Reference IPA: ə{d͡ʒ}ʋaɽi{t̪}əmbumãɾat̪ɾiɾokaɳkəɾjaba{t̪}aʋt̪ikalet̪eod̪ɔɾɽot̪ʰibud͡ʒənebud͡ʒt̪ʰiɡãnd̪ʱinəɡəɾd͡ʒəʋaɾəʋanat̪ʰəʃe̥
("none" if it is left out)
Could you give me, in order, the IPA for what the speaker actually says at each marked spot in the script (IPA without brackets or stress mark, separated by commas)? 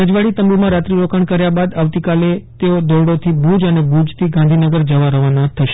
d͡ʒ, t̪, d̪